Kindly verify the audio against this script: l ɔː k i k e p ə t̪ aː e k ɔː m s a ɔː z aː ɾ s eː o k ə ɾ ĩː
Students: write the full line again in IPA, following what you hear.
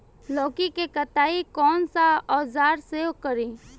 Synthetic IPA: l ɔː k i k e k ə t̪ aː i k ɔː n s a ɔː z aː ɾ s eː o k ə ɾ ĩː